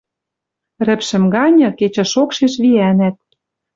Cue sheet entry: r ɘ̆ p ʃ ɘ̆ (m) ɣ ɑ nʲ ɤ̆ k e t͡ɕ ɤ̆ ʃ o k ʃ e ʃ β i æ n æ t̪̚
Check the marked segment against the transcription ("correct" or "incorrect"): correct